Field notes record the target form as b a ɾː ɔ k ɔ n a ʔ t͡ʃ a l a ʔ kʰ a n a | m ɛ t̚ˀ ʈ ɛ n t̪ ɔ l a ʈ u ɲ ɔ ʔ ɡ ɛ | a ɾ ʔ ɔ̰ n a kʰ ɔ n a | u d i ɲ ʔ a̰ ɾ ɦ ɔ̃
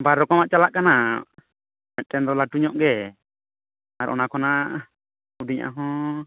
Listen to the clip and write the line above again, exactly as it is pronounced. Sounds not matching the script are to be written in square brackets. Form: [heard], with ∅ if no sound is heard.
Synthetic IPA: b a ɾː ɔ k ɔ [m] a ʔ t͡ʃ a l a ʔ [k] a n a | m ɛ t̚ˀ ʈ ɛ n [d̪] ɔ l a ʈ u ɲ ɔ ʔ ɡ ɛ | a ɾ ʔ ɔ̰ n a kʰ ɔ n a | u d i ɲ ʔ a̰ [∅] ɦ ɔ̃